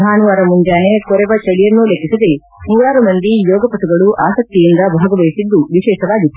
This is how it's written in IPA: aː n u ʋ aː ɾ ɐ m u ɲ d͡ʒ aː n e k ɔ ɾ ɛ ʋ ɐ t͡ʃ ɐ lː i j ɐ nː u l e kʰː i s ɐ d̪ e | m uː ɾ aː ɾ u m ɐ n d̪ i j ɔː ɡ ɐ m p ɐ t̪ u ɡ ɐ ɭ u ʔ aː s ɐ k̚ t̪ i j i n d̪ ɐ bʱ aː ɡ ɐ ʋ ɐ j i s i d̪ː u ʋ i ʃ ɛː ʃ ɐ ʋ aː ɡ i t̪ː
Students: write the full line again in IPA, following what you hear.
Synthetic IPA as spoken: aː n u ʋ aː ɾ ɐ m u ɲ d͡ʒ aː n e k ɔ ɾ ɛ ʋ ɐ t͡ʃ ɐ l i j ɐ nː u l e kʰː i s ɐ d̪ e | m uː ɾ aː ɾ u m ɐ n d̪ i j ɔː ɡ ɐ p ɐ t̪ u ɡ ɐ ɭ u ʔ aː s ɐ k̚ t̪ i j i n d̪ ɐ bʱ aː ɡ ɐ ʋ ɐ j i s i d̪ː u ʋ i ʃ ɛː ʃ ɐ ʋ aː ɡ i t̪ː